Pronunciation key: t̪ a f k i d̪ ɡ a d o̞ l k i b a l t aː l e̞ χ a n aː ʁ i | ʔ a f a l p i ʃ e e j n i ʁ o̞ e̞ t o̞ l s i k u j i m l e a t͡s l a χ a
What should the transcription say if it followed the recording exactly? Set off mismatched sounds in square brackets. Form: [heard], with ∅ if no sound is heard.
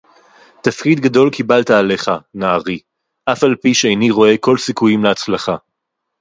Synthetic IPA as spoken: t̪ a f k i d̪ ɡ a d o̞ l k i b a l t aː l e̞ χ a n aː ʁ i | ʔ a f a l p i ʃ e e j n i ʁ o̞ e̞ [k] o̞ l s i k u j i m l e a t͡s l a χ a